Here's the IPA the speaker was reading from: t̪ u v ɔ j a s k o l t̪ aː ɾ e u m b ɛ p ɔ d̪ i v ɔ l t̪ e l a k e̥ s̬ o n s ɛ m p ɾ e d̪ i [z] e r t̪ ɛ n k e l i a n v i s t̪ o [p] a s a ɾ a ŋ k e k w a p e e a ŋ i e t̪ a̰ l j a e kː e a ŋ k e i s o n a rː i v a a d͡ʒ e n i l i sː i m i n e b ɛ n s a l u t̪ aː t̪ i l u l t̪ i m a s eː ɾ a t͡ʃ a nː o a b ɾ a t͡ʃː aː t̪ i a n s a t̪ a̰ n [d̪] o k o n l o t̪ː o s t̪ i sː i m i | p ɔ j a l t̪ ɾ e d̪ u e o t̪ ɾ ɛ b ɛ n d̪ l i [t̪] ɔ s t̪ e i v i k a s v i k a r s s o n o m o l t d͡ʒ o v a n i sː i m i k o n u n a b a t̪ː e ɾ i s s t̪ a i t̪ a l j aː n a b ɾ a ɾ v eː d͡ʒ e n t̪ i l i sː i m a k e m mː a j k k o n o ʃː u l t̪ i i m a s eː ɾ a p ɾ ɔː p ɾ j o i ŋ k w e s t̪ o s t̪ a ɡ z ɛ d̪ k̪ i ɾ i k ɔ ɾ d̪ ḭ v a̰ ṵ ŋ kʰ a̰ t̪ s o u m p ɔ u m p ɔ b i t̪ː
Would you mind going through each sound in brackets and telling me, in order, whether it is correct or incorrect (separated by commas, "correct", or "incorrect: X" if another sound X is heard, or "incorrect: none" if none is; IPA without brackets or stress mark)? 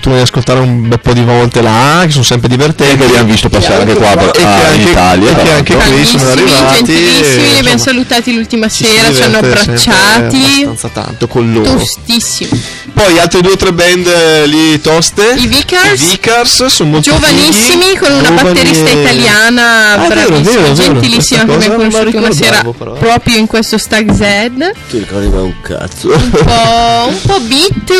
incorrect: v, correct, incorrect: t̪, correct